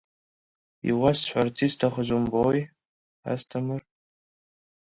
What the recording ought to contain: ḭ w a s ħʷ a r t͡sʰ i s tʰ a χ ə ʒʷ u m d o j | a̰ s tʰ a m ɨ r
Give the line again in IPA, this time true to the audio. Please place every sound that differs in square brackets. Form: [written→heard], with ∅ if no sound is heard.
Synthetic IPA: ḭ w a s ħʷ a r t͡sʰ i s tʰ a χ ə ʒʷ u m [d→b] o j | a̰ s tʰ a m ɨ r